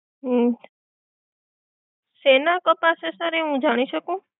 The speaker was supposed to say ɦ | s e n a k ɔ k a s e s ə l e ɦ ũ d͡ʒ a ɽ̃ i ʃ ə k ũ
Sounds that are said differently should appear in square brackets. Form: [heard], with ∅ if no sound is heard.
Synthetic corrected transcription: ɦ | s e n a k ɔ [p] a s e s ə [ɾ] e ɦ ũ d͡ʒ a ɽ̃ i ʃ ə k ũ

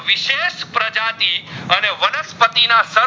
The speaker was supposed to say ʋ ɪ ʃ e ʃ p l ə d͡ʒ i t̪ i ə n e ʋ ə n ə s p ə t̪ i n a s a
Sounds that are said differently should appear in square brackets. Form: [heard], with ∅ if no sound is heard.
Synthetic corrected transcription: ʋ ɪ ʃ e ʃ p [ɾ] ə d͡ʒ [a] t̪ i ə n e ʋ ə n ə s p ə t̪ i n a s [ə]

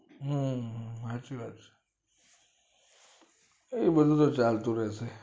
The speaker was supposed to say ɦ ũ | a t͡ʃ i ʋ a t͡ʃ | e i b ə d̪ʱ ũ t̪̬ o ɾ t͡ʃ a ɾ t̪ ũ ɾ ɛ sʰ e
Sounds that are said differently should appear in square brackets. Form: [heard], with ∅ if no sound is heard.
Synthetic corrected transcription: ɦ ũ | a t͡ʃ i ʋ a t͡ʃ | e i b ə d̪ʱ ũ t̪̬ o [∅] t͡ʃ a [l] t̪ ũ ɾ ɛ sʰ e

